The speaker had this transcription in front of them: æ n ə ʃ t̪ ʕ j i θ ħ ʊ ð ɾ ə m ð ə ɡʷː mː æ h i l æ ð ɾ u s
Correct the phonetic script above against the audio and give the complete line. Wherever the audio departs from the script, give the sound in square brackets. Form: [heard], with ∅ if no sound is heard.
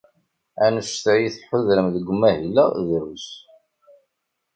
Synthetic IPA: æ n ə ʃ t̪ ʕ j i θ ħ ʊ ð ɾ ə m ð ə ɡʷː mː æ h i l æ ð ɾ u s